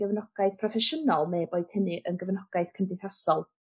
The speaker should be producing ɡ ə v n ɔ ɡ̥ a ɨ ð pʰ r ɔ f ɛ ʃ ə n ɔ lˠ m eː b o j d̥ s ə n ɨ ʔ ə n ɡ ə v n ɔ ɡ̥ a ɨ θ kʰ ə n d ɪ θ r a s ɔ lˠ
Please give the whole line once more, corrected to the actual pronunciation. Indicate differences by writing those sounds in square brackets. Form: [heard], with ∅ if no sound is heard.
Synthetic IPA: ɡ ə v n ɔ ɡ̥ a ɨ [θ] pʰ r ɔ f ɛ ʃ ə n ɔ lˠ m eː b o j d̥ [h] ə n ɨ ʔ ə n ɡ ə v n ɔ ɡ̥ a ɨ θ kʰ ə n d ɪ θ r a s ɔ lˠ